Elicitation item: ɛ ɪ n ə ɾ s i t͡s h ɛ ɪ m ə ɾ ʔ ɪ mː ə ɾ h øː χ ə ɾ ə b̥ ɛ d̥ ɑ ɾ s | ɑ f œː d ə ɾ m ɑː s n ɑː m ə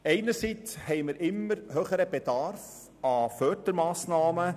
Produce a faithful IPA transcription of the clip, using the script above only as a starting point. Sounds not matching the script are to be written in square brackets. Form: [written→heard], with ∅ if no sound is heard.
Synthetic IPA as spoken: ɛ ɪ n ə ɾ s i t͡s h ɛ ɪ m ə ɾ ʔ ɪ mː ə ɾ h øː χ ə ɾ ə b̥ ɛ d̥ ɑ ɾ [s→f] | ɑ f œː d ə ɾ m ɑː s n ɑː m ə